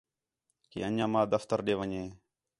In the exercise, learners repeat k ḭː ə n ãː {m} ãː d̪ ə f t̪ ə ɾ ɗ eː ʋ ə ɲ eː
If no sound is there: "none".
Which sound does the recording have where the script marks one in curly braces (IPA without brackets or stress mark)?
m